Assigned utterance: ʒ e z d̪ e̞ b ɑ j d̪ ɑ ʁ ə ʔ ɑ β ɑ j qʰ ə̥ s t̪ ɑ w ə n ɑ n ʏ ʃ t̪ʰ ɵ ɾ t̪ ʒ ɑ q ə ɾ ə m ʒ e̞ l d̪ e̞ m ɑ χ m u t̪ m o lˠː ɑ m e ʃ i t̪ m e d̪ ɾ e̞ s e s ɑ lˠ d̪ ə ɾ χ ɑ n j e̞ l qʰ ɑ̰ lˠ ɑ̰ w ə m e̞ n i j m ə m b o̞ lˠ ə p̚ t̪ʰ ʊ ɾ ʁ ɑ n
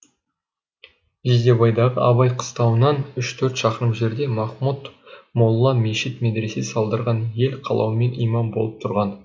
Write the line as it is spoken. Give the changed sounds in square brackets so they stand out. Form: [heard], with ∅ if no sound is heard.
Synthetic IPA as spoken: ʒ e z d̪ e̞ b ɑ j d̪ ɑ ʁ ə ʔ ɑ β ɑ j qʰ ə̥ s t̪ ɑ w ə n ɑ n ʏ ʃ t̪ʰ ɵ ɾ t̪ [ʃ] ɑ q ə ɾ ə m ʒ e̞ [ɾ] d̪ e̞ m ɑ χ m u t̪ m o lˠː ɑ m e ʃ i t̪ m e d̪ ɾ e̞ s e s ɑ lˠ d̪ ə ɾ [ʁ] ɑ n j e̞ l qʰ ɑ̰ lˠ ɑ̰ w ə m e̞ n i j m [ɑ] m b o̞ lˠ ə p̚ t̪ʰ ʊ ɾ ʁ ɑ n

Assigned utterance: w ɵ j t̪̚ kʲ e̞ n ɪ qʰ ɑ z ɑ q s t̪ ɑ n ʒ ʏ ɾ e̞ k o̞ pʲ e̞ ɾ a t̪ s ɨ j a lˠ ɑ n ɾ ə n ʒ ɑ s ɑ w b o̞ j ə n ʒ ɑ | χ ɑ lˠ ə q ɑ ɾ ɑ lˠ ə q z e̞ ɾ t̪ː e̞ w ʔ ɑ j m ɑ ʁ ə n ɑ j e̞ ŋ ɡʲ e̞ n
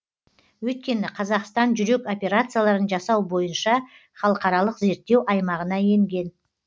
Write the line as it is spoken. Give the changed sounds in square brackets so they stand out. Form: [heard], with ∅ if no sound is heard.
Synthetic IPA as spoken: w ɵ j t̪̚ kʲ e̞ n ɪ qʰ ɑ z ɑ q s t̪ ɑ n ʒ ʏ ɾ e̞ k o̞ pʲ e̞ ɾ a t̪ s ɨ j a lˠ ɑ [∅] ɾ ə n ʒ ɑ s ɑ w b o̞ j ə n [ʃ] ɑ | χ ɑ lˠ ə q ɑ ɾ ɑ lˠ ə q z e̞ ɾ t̪ː e̞ w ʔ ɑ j m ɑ ʁ ə n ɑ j e̞ ŋ ɡʲ e̞ n

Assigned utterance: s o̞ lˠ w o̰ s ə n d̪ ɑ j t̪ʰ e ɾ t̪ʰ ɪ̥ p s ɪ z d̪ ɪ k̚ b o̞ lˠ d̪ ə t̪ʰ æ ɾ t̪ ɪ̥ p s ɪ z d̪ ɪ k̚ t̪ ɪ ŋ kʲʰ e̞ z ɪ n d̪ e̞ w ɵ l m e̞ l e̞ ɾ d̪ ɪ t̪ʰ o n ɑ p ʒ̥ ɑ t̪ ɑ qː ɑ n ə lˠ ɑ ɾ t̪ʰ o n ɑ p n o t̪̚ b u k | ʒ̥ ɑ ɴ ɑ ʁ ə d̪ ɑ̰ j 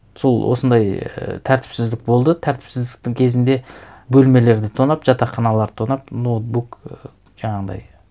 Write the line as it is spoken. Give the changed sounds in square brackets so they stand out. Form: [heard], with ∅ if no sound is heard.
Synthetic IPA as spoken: s o̞ lˠ w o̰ s ə n d̪ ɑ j t̪ʰ [æ] ɾ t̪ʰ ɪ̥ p s ɪ z d̪ ɪ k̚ b o̞ lˠ d̪ ə t̪ʰ æ ɾ t̪ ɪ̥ p s ɪ z d̪ ɪ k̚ t̪ ɪ ŋ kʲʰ e̞ z ɪ n d̪ e̞ [b] ɵ l m e̞ l e̞ ɾ d̪ ɪ t̪ʰ o n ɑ p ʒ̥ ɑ t̪ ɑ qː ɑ n [ɑ] lˠ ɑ ɾ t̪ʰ o n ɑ p n o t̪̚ b u k | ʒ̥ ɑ ɴ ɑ ʁ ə d̪ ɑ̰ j

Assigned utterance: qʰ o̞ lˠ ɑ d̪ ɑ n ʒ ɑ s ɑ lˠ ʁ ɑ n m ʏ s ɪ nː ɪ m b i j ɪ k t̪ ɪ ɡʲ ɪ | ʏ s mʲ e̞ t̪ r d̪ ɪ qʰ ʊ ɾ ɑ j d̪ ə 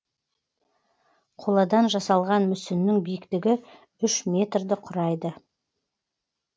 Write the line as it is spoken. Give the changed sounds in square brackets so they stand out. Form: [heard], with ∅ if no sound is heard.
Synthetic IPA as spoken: qʰ o̞ lˠ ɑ d̪ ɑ n ʒ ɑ s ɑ lˠ ʁ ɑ n m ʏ s ɪ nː ɪ [ŋ] b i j ɪ k t̪ ɪ ɡʲ ɪ | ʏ [ʃ] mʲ e̞ t̪ r d̪ ɪ qʰ ʊ ɾ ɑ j d̪ ə

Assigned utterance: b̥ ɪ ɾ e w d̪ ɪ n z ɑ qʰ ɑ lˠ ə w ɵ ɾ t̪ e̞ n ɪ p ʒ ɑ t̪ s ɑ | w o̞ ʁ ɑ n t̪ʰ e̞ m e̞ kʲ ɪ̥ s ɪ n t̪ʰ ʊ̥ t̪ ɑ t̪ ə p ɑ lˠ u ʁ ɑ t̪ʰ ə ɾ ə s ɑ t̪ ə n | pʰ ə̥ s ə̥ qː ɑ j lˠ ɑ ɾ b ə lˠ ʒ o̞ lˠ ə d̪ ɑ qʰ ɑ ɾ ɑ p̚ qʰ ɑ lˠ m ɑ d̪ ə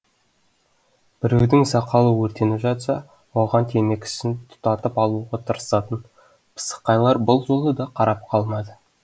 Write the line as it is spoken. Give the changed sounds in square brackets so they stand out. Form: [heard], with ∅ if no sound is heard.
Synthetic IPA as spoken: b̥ ɪ ɾ e w d̪ ɪ [ŋ] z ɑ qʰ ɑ lˠ ə w ɵ ɾ t̪ e̞ n ɪ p ʒ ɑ t̪ s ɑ | w o̞ ʁ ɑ n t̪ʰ e̞ m e̞ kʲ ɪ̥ s ɪ n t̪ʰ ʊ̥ t̪ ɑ t̪ ə p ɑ lˠ u ʁ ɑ t̪ʰ ə ɾ ə s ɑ t̪ ə n | pʰ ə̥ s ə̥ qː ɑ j lˠ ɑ ɾ b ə lˠ ʒ o̞ lˠ ə d̪ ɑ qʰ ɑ ɾ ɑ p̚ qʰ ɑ lˠ m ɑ d̪ ə

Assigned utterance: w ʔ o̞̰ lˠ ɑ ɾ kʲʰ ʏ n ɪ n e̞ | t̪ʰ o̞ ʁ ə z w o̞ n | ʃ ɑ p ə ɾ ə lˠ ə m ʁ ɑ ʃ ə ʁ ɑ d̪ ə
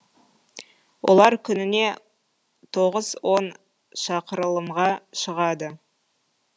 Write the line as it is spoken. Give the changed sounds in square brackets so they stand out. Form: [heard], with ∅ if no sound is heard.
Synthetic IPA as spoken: w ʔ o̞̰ lˠ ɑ ɾ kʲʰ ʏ n ɪ n e̞ | t̪ʰ o̞ ʁ ə z w o̞ n | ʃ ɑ [q] ə ɾ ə lˠ ə m ʁ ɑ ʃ ə ʁ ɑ d̪ ə

